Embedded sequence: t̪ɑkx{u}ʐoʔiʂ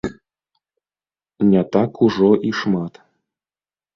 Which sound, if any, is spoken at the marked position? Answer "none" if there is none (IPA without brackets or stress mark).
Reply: u